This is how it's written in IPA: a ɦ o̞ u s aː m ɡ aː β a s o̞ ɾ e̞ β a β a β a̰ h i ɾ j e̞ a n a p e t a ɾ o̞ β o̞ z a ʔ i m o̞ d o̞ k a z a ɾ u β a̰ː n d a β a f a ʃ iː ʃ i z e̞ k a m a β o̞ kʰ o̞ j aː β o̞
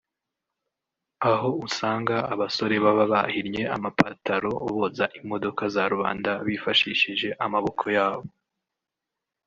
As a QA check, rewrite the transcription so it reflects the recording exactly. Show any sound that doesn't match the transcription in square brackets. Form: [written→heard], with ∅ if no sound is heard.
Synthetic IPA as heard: a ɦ o̞ u s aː [m→ŋ] ɡ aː β a s o̞ ɾ e̞ β a β a β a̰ h i ɾ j e̞ a [n→m] a p [e→a] t a ɾ o̞ β o̞ z a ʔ i m o̞ d o̞ k a z a ɾ u β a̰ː n d a β [a→i] f a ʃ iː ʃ i [z→ʒ] e̞ [k→ʔ] a m a β o̞ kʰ o̞ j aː β o̞